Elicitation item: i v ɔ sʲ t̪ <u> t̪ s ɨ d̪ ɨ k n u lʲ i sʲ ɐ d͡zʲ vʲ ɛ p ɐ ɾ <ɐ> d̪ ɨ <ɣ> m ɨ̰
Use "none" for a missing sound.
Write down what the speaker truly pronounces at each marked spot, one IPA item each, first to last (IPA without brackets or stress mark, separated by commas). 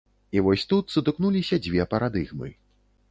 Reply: u, a, ɣ